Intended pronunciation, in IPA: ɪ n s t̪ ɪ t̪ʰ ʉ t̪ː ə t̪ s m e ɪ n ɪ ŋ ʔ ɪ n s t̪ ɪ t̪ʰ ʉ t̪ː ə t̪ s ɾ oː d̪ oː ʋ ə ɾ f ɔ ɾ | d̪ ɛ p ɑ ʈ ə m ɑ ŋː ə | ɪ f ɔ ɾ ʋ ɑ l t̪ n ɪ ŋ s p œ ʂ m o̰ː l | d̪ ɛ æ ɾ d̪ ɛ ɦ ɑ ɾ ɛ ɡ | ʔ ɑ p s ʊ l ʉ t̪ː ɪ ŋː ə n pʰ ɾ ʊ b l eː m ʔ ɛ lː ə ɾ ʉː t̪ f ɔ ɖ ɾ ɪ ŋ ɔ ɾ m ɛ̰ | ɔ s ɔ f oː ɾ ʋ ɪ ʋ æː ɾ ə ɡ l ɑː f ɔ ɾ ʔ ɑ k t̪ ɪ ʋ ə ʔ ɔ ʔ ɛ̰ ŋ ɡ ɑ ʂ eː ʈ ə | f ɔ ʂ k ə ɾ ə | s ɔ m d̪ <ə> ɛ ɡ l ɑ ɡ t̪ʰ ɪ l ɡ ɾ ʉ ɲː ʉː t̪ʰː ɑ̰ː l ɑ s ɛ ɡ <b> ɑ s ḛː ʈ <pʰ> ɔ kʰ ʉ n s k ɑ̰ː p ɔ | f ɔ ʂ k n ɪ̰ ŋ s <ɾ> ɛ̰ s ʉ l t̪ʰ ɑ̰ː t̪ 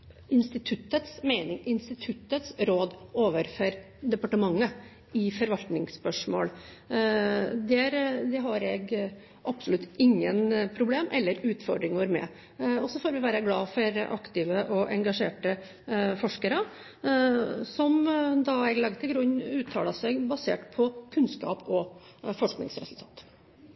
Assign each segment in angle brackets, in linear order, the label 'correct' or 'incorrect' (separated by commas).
incorrect, correct, correct, correct